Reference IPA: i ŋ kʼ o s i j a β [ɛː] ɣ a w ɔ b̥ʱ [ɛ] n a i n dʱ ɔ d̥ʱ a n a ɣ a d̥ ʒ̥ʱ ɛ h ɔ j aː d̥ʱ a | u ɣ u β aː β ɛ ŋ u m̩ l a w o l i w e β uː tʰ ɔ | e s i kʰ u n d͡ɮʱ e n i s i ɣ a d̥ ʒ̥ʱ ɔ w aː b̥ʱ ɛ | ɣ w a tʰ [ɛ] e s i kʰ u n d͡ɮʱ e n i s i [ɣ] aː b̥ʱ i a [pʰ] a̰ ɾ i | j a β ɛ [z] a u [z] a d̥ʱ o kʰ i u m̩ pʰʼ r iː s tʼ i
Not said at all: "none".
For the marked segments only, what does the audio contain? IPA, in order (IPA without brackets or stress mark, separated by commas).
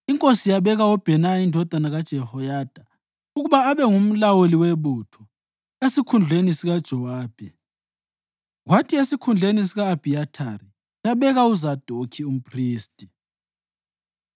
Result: ɛ, ɛ, i, ɣ, tʰ, ɣ, z